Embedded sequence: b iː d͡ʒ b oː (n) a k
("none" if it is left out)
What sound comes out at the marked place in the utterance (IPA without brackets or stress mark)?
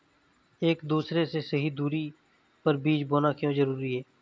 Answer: n